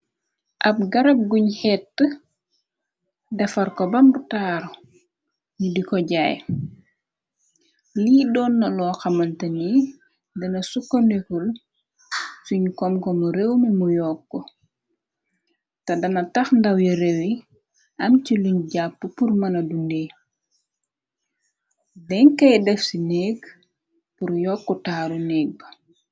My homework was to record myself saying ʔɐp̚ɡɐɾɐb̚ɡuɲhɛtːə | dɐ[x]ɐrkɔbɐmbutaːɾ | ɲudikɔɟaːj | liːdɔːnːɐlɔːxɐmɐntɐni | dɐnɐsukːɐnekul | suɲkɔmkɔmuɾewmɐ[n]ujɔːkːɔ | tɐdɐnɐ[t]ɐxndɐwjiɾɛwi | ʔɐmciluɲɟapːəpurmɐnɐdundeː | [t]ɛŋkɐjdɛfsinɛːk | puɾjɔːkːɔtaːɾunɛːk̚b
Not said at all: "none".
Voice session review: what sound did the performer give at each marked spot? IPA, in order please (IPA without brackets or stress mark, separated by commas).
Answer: f, m, t, d